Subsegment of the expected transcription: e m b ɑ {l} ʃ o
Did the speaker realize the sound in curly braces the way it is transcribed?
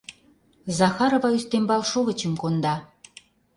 yes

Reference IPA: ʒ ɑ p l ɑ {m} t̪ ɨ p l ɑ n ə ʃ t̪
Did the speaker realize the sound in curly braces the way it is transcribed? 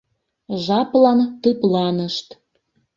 no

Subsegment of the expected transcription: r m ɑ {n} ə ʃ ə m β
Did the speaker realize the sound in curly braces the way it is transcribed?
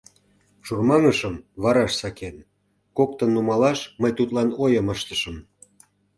no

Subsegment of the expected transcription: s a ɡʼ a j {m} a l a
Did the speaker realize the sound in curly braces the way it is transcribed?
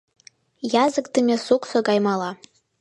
yes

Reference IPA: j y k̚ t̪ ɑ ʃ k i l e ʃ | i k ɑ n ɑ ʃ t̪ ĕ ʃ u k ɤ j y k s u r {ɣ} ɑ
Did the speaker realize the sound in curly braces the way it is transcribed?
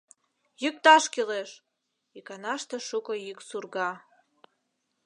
yes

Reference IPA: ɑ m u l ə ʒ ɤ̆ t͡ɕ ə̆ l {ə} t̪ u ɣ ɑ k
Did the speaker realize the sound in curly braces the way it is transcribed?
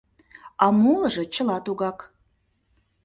no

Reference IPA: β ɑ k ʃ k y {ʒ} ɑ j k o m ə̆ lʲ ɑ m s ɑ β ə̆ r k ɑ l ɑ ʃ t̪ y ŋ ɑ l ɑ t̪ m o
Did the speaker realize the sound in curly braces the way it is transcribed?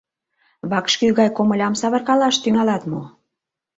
no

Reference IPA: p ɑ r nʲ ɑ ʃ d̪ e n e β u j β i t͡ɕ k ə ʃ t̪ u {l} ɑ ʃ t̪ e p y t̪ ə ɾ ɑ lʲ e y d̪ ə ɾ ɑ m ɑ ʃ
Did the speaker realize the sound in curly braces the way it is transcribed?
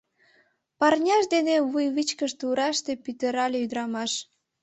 no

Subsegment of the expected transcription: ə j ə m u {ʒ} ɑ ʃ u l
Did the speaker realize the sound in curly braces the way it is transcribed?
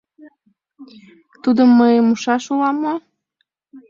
no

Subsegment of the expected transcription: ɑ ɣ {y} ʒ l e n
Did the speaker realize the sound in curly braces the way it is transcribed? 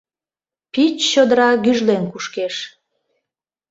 yes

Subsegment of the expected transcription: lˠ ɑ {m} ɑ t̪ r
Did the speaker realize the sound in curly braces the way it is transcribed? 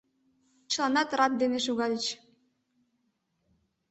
no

